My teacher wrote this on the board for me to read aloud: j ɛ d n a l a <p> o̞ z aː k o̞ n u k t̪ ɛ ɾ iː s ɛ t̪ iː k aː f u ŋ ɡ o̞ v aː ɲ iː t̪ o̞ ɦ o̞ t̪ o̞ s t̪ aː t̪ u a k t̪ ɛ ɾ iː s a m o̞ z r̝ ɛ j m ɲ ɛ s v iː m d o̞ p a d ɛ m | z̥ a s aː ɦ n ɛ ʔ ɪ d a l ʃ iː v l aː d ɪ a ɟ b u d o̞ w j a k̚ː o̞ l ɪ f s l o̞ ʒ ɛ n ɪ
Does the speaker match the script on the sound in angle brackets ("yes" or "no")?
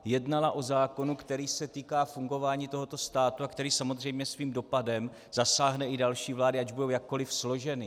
no